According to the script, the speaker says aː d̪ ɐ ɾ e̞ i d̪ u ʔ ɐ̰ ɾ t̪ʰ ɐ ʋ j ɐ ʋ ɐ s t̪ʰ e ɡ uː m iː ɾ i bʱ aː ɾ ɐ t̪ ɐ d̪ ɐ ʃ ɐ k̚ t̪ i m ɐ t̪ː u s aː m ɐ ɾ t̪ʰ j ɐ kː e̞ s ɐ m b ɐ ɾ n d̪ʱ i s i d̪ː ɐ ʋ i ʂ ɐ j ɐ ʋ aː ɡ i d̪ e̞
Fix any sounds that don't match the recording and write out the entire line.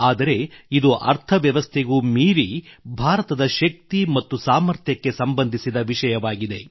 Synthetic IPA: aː d̪ ɐ ɾ e̞ i d̪ u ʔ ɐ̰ ɾ t̪ʰ ɐ ʋ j ɐ ʋ ɐ s t̪ʰ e ɡ uː m iː ɾ i bʱ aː ɾ ɐ t̪ ɐ d̪ ɐ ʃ ɐ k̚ t̪ i m ɐ t̪ː u s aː m ɐ ɾ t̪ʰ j ɐ kː e̞ s ɐ m b ɐ n d̪ʱ i s i d̪ ɐ ʋ i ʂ ɐ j ɐ ʋ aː ɡ i d̪ e̞

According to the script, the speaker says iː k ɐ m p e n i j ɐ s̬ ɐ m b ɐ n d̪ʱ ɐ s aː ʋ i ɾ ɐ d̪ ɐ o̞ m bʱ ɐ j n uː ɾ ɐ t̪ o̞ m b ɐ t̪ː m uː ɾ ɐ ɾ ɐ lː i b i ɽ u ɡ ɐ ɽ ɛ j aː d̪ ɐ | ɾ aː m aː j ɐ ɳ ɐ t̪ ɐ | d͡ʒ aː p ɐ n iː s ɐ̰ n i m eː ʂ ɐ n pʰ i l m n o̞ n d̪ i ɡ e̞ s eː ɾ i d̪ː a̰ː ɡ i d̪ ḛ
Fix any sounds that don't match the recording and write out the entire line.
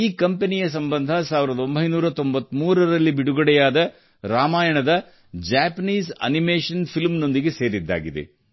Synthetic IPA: iː k ɐ m p e n i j ɐ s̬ ɐ m b ɐ n d̪ʱ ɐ s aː ʋ i ɾ ɐ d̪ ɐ o̞ m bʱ ɐ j n uː ɾ ɐ t̪ o̞ m b ɐ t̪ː m uː ɾ ɐ ɾ ɐ lː i b i ɽ u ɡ ɐ ɽ ɛ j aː d̪ ɐ | ɾ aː m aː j ɐ ɳ ɐ d̪ ɐ | d͡ʒ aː p ɐ n iː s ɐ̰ n i m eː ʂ ɐ n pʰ i l m n o̞ n d̪ i ɡ e̞ s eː ɾ i d̪ː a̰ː ɡ i d̪ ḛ

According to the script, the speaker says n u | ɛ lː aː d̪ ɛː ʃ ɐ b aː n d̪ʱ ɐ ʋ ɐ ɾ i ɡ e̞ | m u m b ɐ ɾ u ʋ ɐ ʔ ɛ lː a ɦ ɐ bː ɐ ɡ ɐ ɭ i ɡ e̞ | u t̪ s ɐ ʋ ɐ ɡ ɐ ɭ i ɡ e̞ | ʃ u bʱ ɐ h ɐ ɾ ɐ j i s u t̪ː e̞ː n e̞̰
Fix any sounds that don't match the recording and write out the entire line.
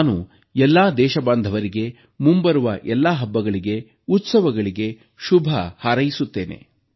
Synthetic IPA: n u | ɛ lː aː d̪ ɛː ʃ ɐ b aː n d̪ʱ ɐ ʋ ɐ ɾ i ɡ e̞ | m u m b ɐ ɾ u ʋ ɐ ʔ ɛ lː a ɦ ɐ bː ɐ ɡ ɐ ɭ i ɡ e̞ | u t̪ s ɐ ʋ ɐ ɡ ɐ ɭ i ɡ e̞ | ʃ u bʱ ɐ h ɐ ɾ ɐ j i s u t̪ː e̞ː n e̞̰

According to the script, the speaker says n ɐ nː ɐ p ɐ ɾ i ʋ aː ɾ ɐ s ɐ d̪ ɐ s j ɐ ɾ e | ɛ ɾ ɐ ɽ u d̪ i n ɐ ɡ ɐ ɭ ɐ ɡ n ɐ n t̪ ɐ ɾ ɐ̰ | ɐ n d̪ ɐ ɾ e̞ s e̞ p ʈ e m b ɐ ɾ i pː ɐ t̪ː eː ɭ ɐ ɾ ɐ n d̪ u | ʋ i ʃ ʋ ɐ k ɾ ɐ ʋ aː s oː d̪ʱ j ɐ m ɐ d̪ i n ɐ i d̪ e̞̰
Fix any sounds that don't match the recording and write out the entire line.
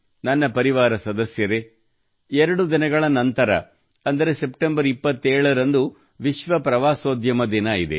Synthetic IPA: n ɐ nː ɐ p ɐ ɾ i ʋ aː ɾ ɐ s ɐ d̪ ɐ s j ɐ ɾ e | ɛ ɾ ɐ ɽ u d̪ i n ɐ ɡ ɐ ɭ ɐ n ɐ n t̪ ɐ ɾ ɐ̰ | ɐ n d̪ ɐ ɾ e̞ s e̞ p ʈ e m b ɐ ɾ i pː ɐ t̪ː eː ɭ ɐ ɾ ɐ n d̪ u | ʋ i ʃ ʋ ɐ p ɾ ɐ ʋ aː s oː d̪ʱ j ɐ m ɐ d̪ i n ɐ i d̪ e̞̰

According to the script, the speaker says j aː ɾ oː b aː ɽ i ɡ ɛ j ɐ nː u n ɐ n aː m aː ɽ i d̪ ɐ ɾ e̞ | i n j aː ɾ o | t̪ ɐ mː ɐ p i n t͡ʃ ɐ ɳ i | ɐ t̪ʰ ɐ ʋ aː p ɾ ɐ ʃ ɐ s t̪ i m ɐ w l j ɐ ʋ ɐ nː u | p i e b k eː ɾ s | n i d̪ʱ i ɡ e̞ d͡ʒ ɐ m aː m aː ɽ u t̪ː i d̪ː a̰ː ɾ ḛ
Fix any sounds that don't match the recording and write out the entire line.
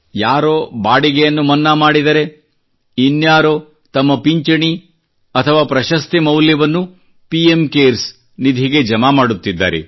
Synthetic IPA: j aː ɾ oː b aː ɽ i ɡ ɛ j ɐ nː u m ɐ nː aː m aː ɽ i d̪ ɐ ɾ e̞ | i n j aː ɾ o | t̪ ɐ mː ɐ p i ɲ t͡ʃ ɐ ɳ i | ɐ t̪ʰ ɐ ʋ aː p ɾ ɐ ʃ ɐ s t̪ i m ɐ w l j ɐ ʋ ɐ nː u | p i e m k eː ɾ s | n i d̪ʱ i ɡ e̞ d͡ʒ ɐ m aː m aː ɽ u t̪ː i d̪ː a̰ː ɾ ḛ

